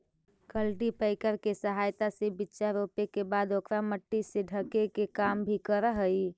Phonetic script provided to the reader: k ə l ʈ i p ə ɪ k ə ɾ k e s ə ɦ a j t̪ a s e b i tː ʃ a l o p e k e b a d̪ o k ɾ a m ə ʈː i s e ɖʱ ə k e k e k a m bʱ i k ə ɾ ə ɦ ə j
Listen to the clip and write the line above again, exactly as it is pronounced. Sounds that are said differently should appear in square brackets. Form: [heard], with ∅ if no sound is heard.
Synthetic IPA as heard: k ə l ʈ i p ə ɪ k ə ɾ k e s ə ɦ a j t̪ a s e b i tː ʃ a [ɾ] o p e k e b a d̪ o k ɾ a m ə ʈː i s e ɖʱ ə k e k e k a m bʱ i k ə ɾ ə ɦ ə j